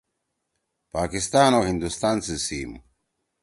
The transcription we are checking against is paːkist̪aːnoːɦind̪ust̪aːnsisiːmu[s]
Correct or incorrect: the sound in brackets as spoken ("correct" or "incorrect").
incorrect